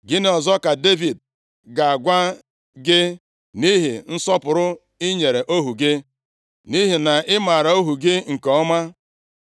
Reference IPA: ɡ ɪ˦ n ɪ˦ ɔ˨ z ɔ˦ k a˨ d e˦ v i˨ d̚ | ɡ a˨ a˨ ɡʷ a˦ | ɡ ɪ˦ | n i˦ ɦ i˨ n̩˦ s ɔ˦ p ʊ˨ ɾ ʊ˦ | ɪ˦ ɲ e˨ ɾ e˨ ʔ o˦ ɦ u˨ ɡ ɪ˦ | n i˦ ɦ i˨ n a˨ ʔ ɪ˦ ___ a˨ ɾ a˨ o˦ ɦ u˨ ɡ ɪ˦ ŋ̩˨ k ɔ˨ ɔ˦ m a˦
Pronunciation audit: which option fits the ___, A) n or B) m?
B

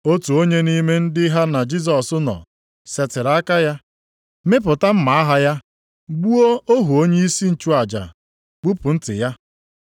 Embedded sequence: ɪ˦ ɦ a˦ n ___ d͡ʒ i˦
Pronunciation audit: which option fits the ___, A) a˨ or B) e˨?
A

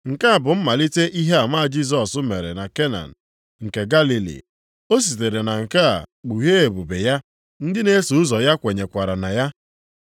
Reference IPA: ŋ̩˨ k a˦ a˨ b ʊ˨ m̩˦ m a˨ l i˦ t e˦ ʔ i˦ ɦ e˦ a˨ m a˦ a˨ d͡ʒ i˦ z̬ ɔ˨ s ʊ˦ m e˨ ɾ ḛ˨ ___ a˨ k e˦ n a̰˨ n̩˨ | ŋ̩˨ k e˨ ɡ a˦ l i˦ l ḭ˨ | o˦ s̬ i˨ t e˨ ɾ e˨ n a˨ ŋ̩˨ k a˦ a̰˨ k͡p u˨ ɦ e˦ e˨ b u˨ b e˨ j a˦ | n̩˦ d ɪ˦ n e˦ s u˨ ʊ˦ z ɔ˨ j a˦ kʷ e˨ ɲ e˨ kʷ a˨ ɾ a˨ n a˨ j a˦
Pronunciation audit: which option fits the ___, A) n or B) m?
A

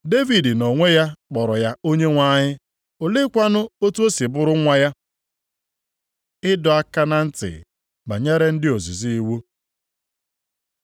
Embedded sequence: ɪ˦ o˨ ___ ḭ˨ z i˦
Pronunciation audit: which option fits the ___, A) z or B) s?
A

